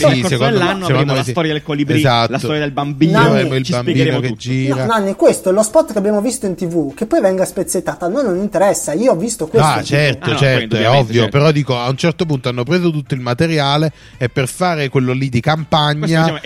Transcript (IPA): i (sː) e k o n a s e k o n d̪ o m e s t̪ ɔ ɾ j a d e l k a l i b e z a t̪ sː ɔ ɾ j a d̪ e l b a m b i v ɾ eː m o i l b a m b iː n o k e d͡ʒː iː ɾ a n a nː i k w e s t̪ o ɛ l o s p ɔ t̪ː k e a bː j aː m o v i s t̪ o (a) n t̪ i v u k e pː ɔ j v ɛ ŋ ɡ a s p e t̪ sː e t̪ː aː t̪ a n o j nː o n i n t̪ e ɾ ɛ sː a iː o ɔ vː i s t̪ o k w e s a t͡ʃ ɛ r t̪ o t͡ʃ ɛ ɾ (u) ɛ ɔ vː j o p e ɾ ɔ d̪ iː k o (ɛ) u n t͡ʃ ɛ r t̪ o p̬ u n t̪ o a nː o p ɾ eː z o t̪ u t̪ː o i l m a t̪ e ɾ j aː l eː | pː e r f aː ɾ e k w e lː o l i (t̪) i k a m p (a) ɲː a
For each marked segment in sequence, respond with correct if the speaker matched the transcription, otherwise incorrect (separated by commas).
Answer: incorrect, incorrect, incorrect, incorrect, incorrect, correct